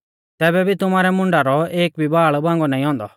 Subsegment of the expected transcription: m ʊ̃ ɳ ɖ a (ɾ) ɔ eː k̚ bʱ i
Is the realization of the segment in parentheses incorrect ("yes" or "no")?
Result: no